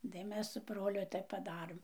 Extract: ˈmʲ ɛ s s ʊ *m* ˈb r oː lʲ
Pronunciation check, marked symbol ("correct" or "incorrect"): incorrect